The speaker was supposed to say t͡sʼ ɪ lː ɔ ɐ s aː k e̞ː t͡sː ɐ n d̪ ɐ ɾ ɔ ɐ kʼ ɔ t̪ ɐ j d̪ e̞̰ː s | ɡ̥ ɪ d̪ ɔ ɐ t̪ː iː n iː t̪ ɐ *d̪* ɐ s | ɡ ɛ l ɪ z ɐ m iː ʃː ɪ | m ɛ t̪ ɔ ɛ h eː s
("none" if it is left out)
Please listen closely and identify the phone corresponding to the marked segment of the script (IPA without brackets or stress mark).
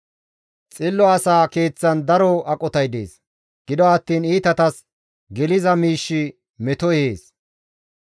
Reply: t̪